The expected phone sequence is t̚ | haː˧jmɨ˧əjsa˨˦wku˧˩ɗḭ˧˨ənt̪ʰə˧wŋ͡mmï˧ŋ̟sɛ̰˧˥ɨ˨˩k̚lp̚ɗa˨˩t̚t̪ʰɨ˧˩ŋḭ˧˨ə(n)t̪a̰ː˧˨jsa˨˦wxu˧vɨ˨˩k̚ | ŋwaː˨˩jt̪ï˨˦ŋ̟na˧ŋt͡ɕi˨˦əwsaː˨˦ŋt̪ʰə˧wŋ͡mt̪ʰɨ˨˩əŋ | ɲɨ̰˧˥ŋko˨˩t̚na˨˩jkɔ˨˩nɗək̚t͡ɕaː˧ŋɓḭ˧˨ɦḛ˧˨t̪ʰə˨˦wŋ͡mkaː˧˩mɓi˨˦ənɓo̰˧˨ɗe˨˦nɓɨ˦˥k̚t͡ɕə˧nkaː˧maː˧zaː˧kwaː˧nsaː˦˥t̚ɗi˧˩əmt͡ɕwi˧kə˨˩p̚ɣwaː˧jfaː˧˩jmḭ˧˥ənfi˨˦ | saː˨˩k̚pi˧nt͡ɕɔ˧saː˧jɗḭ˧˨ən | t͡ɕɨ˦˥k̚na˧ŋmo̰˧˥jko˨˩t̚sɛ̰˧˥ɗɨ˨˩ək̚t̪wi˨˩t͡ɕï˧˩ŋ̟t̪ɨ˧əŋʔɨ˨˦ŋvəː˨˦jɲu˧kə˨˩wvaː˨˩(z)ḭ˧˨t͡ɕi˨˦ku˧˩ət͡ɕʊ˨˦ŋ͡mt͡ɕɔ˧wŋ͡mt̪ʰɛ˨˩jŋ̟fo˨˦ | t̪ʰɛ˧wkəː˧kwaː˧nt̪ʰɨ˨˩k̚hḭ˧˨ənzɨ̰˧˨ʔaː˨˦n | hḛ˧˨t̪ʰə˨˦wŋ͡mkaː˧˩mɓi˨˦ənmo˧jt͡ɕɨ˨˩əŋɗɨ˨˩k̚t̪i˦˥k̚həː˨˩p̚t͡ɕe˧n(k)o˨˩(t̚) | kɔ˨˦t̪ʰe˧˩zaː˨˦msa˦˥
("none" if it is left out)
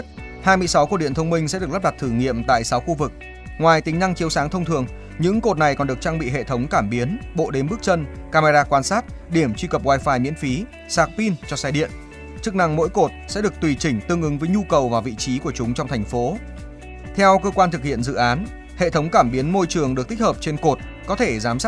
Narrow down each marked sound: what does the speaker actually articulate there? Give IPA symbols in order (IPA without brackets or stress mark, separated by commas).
m, v, k, t̚